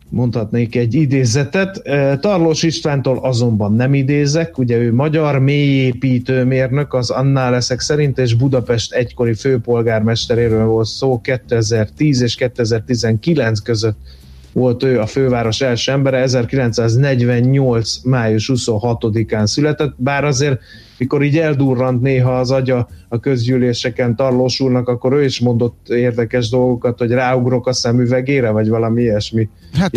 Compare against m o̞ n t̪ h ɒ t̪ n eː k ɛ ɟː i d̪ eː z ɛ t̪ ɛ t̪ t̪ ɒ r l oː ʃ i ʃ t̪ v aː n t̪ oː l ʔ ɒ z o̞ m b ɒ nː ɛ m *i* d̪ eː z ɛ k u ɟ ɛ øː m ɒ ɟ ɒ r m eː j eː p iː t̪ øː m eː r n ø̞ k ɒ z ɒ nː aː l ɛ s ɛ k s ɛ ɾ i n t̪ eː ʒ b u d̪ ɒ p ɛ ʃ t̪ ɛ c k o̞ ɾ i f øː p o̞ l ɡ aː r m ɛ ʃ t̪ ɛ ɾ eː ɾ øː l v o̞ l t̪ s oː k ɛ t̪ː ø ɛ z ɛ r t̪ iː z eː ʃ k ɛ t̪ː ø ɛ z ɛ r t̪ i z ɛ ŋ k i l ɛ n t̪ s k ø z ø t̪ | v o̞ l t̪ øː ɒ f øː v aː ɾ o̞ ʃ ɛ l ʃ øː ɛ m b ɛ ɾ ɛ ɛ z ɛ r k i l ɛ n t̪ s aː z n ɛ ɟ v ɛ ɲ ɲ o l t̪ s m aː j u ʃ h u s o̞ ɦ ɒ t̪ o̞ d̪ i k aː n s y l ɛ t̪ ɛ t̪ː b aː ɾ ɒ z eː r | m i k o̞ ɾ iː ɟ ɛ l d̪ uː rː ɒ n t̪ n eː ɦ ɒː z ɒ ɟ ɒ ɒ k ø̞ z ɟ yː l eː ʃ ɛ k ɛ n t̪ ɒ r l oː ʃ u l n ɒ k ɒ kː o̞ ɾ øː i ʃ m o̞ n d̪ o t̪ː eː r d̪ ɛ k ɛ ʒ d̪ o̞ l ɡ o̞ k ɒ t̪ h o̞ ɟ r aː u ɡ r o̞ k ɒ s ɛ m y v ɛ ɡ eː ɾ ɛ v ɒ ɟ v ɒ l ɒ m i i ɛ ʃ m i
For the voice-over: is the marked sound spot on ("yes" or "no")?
yes